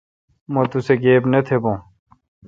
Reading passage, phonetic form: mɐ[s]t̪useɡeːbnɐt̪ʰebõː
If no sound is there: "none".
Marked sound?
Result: none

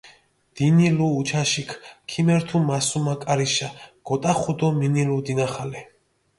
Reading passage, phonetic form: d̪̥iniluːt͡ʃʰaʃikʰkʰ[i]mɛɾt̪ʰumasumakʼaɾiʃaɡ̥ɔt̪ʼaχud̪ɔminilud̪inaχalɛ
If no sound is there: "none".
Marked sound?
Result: i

